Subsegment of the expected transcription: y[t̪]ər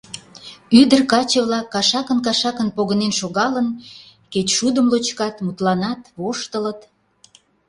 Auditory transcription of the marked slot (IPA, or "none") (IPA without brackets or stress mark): d̪